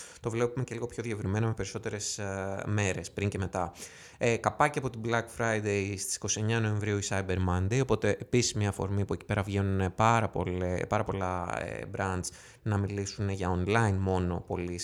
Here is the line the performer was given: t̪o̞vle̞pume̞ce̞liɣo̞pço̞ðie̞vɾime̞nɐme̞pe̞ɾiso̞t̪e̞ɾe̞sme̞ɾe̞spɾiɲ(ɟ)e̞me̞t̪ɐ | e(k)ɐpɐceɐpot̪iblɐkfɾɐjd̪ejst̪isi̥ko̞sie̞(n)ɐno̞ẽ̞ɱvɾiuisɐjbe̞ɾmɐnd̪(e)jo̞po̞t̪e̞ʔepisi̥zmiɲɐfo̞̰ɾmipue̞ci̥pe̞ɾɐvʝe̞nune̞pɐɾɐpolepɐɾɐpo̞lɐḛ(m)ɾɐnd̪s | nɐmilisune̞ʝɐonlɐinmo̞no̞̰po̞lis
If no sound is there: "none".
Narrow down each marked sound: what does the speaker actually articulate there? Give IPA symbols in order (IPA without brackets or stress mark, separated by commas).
c, k, ɲ, e, b